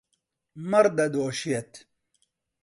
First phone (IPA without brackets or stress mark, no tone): m